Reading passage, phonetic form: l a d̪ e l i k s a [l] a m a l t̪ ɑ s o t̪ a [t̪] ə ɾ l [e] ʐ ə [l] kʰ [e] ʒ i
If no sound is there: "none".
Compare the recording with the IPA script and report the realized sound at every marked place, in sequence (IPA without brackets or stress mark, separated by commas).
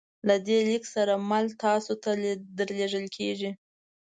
ɾ, d̪, e, l, e